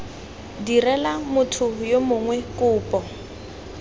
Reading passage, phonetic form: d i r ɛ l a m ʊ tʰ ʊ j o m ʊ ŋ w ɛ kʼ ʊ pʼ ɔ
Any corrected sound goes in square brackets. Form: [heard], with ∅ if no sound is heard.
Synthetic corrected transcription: d i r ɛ l a m ʊ tʰ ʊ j o m ʊ ŋ w ɛ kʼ [ʊː] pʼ ɔ